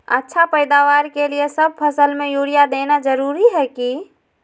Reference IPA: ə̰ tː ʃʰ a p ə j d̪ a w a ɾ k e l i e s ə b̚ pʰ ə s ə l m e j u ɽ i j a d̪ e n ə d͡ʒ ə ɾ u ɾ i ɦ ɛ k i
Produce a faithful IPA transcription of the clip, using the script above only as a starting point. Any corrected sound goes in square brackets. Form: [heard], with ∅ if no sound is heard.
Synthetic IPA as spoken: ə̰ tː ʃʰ a p ə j d̪ a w a ɾ k e l i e s ə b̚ pʰ ə s ə l m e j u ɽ i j a d̪ e n [a] d͡ʒ ə ɾ u ɾ i ɦ ɛ k i